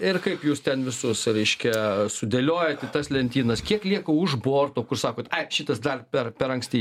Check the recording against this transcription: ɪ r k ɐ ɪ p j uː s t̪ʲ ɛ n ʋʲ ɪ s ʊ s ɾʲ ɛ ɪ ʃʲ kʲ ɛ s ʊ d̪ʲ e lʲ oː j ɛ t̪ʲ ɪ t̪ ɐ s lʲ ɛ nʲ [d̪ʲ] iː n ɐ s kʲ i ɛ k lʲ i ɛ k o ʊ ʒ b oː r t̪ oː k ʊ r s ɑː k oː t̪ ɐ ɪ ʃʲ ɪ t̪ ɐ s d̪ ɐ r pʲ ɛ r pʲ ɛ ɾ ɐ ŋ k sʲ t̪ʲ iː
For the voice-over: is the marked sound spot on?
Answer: no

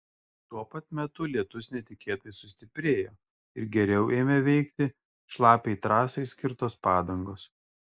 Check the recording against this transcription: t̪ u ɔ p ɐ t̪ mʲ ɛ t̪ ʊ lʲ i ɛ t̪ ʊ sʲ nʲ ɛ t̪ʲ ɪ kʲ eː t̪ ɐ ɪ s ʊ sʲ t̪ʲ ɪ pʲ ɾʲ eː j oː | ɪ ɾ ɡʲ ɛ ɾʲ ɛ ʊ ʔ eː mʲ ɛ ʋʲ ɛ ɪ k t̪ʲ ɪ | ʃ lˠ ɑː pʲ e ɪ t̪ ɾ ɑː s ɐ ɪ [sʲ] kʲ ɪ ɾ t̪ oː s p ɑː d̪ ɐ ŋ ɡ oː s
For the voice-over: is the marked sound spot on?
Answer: yes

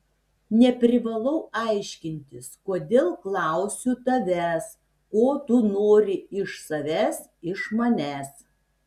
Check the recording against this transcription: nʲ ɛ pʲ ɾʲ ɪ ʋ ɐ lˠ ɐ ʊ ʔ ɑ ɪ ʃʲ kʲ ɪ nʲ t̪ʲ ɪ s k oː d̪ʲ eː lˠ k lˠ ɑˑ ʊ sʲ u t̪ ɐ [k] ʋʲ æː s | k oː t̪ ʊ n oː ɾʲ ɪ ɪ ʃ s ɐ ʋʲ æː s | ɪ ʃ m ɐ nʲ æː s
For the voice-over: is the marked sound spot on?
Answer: no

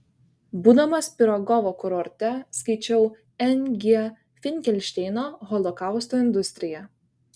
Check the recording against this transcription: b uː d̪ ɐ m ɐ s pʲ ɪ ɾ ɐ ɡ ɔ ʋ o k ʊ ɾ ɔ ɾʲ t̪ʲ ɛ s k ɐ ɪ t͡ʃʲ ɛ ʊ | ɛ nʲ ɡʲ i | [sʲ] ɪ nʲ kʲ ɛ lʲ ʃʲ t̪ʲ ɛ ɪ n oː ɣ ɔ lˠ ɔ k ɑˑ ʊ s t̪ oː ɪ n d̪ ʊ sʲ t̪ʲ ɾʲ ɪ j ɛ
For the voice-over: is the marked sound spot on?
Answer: no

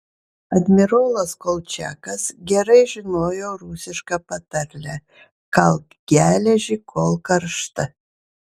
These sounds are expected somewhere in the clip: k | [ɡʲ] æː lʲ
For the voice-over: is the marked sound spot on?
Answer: yes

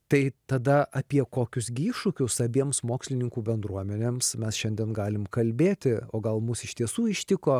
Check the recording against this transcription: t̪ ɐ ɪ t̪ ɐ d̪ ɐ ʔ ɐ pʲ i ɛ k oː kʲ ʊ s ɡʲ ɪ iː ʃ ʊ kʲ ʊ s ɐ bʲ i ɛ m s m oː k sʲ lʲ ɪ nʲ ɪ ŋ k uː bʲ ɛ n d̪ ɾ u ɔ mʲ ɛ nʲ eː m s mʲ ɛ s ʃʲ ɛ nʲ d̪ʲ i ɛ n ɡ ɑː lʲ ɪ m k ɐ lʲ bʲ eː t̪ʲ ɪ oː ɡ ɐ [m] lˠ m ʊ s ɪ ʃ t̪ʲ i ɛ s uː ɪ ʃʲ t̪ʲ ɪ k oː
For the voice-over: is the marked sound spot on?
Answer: no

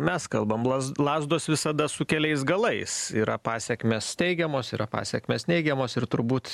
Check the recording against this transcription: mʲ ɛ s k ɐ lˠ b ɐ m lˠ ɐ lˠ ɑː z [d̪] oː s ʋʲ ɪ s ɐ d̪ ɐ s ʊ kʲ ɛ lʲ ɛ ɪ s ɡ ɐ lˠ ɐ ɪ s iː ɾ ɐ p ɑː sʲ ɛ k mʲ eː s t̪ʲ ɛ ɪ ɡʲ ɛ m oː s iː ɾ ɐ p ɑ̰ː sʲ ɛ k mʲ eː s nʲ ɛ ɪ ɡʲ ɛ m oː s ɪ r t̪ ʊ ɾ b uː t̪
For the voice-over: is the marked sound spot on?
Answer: yes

